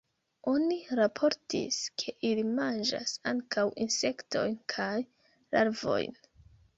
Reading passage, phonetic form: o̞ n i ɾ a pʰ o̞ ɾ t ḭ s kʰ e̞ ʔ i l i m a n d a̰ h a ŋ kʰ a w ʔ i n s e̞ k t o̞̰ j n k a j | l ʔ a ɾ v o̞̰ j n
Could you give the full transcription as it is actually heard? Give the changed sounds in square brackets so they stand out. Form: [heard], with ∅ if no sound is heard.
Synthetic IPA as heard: o̞ n i ɾ a pʰ o̞ ɾ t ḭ s kʰ e̞ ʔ i l i m a n [d͡ʒ] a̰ [s] a ŋ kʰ a w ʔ i n s e̞ k t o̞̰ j n [kʰ] a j | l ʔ a ɾ v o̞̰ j n